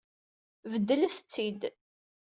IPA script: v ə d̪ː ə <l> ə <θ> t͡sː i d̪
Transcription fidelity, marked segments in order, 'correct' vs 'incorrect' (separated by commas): correct, correct